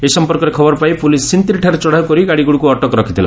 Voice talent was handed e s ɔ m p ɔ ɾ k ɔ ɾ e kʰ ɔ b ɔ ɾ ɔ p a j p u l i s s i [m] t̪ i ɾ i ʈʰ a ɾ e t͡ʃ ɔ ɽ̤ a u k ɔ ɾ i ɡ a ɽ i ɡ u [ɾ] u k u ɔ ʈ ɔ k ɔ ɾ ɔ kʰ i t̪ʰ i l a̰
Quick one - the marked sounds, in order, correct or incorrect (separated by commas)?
incorrect, incorrect